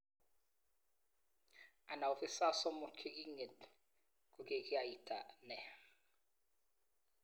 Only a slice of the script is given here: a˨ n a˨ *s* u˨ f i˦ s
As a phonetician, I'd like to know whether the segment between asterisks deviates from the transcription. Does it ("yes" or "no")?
yes